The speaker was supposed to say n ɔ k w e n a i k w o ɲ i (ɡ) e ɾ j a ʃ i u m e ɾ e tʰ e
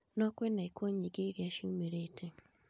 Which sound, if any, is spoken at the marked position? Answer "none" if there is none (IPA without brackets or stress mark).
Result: ɡ